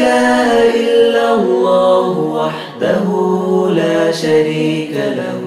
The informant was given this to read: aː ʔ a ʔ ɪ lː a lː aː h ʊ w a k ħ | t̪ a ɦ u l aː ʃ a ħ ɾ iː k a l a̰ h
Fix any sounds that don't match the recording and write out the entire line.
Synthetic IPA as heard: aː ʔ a ʔ ɪ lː a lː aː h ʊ w a ħ | d̪ a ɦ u l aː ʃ a ɾ iː k a l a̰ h

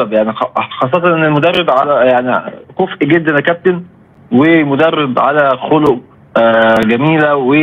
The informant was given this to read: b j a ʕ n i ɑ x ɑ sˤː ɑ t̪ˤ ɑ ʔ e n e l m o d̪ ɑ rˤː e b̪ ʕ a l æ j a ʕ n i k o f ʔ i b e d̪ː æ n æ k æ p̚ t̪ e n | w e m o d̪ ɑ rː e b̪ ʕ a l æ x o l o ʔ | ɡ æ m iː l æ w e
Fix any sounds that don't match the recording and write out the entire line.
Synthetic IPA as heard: b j a ʕ n i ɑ x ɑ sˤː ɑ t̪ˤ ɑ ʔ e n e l m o d̪ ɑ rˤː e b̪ ʕ a l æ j a ʕ n i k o f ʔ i ɡ e d̪ː æ n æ k æ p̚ t̪ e n | w e m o d̪ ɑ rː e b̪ ʕ a l æ x o l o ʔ | ɡ æ m iː l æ w e

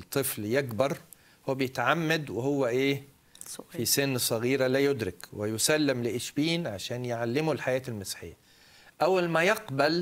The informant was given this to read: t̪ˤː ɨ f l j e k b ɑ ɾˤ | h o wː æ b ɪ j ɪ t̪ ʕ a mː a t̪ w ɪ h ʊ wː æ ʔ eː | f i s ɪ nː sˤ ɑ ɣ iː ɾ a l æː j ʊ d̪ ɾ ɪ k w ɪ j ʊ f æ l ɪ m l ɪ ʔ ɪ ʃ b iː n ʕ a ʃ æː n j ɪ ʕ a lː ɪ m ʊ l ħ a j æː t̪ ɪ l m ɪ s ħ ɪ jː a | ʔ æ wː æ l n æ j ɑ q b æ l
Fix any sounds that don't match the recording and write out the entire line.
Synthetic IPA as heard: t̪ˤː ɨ f l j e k b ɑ ɾˤ | h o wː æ b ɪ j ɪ t̪ ʕ a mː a d̪ w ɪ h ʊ wː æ ʔ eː | f i s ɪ nː sˤ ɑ ɣ iː ɾ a l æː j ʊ d̪ ɾ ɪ k w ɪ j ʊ s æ lː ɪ m l ɪ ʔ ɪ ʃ b iː n ʕ a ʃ æː n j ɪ ʕ a lː ɪ m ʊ l ħ a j æː t̪ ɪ l m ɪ s ħ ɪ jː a | ʔ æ wː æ l m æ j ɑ q b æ l

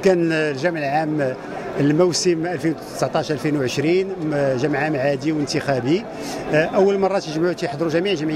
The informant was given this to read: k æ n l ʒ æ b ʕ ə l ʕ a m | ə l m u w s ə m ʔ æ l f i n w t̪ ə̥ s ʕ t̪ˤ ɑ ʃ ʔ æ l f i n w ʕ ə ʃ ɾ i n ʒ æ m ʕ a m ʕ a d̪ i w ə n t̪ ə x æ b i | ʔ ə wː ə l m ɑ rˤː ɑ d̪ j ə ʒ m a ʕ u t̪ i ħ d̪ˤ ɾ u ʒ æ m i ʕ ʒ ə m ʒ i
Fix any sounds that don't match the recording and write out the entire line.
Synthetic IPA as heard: k æ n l ʒ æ m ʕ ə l ʕ a m | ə l m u w s ə m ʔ æ l f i n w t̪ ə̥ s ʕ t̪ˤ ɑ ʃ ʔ æ l f i n w ʕ ə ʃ ɾ i n ʒ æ m ʕ a m ʕ a d̪ i w ə n t̪ ə x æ b i | ʔ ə wː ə l m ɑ rˤː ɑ t̪ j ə ʒ m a ʕ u t̪ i ħ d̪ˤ ɾ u ʒ æ m i ʕ ʒ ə m ʕ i

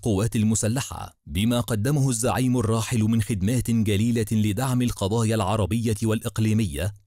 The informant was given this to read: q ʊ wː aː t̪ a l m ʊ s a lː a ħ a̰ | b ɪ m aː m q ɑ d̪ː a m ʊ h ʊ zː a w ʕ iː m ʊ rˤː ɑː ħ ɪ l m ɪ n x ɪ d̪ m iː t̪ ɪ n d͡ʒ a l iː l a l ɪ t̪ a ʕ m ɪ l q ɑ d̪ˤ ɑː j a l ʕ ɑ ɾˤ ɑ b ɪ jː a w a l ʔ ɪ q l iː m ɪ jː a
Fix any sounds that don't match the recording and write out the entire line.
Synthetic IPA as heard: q ʊ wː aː t̪ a l m ʊ s a lː a ħ a̰ | b ɪ m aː q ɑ d̪ː a m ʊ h ʊ zː a ʕ iː m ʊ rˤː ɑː ħ ɪ l m ɪ n x ɪ d̪ m aː t̪ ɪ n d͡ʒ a l iː l a l ɪ d̪ a ʕ m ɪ l q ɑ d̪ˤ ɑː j a l ʕ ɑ ɾˤ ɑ b ɪ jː a w a l ʔ ɪ q l iː m ɪ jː a

